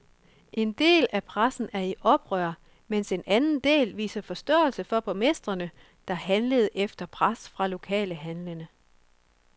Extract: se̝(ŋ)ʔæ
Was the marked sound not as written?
yes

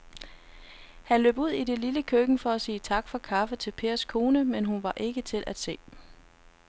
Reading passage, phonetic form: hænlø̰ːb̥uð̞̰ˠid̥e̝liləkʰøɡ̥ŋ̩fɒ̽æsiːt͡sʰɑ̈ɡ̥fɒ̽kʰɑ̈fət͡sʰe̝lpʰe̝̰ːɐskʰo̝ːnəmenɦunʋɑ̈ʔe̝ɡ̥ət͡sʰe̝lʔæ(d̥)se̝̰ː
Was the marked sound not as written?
no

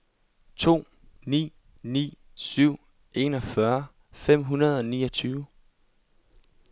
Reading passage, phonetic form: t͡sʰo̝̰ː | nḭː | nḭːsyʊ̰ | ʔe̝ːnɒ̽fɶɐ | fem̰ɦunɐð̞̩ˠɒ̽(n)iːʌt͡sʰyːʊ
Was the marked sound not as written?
no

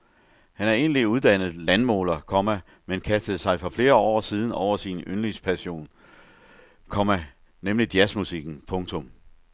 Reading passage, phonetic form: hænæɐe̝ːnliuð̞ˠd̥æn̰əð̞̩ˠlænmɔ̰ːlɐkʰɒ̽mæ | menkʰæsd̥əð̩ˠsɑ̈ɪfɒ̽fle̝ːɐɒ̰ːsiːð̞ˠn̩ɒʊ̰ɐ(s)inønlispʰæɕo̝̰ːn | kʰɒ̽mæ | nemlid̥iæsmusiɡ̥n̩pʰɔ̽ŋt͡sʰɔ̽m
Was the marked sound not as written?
no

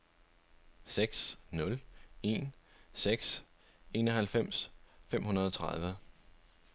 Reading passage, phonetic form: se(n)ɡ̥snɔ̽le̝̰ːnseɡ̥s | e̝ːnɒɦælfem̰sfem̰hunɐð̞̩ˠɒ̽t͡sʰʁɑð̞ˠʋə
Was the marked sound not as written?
yes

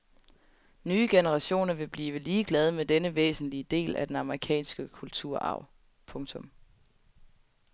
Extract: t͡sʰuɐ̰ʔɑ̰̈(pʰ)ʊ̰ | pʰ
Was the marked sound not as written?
yes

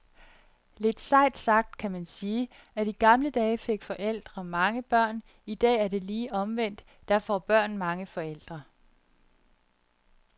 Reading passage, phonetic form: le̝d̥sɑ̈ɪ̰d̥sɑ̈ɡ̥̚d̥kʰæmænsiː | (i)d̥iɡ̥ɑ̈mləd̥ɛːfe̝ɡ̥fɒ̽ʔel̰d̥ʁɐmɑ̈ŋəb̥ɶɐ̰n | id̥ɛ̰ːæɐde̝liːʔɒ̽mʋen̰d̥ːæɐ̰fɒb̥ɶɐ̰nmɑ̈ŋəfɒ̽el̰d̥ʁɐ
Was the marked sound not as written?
yes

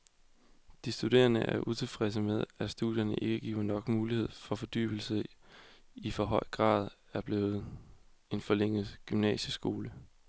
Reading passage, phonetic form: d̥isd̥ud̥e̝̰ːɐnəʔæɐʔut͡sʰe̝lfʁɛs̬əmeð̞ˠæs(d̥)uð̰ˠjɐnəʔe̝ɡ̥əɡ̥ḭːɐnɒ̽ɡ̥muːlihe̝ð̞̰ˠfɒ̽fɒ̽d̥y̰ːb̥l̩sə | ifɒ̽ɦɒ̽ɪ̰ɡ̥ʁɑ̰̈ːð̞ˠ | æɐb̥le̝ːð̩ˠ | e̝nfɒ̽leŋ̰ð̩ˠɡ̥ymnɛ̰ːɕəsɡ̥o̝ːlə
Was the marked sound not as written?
no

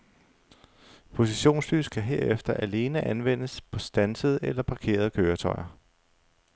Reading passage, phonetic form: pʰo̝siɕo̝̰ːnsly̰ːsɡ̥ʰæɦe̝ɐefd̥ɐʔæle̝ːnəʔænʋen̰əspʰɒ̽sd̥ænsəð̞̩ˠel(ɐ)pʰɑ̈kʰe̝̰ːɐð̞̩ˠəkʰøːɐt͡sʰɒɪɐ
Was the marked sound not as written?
no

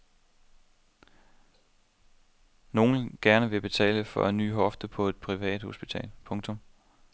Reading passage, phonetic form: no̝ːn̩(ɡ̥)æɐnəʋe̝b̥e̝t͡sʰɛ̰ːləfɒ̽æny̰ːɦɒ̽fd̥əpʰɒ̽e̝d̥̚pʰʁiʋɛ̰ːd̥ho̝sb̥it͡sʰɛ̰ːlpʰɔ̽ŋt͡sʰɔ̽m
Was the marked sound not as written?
no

